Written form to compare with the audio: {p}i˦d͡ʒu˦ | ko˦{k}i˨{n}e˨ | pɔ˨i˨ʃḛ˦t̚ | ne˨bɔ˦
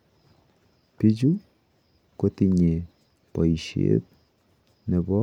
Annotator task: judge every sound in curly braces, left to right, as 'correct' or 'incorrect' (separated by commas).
correct, incorrect, incorrect